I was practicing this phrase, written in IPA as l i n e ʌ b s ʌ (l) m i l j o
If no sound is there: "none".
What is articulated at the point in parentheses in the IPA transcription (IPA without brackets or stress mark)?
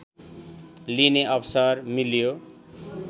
r